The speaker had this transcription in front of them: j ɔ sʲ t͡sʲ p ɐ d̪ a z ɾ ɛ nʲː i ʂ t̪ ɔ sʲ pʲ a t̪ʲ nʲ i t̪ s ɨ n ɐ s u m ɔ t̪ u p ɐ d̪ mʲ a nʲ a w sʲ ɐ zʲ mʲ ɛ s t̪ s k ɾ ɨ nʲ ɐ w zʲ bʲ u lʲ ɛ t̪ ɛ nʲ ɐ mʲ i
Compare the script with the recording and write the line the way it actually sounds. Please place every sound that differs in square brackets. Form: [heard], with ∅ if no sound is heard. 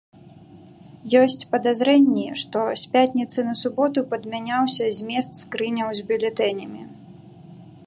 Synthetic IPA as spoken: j ɔ sʲ t͡sʲ p ɐ d̪ a z ɾ ɛ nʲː i ʂ t̪ ɔ sʲ pʲ a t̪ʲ nʲ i t̪ s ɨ n ɐ s u [b] ɔ t̪ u p ɐ d̪ mʲ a nʲ a w sʲ ɐ zʲ mʲ ɛ s t̪ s k ɾ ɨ nʲ ɐ w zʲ bʲ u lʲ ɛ t̪ ɛ nʲ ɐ mʲ i